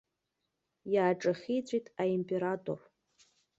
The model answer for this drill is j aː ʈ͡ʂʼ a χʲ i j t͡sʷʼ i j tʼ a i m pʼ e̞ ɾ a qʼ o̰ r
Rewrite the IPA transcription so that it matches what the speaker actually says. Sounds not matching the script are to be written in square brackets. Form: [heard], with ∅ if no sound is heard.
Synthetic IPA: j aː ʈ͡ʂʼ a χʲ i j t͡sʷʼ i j tʼ a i m pʼ e̞ ɾ a [tʼ] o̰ r